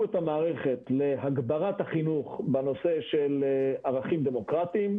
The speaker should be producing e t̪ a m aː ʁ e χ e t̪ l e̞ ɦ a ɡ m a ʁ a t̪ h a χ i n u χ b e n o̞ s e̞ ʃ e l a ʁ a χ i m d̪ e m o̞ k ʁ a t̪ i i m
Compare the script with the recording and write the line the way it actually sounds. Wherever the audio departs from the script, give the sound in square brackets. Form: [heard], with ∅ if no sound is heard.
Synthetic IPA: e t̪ a m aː ʁ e χ e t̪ l e̞ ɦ a ɡ [b] a ʁ a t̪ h a χ i n u χ b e n o̞ s e̞ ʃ e l a ʁ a χ i m d̪ e m o̞ k ʁ a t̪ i i m